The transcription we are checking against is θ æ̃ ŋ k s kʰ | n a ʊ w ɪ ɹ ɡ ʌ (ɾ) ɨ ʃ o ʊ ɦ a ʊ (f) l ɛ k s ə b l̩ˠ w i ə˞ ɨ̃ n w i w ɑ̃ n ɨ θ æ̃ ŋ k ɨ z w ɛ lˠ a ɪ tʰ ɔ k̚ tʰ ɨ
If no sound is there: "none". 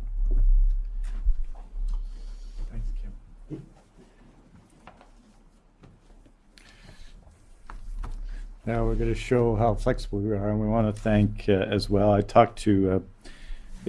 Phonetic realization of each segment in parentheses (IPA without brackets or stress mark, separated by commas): ɾ, f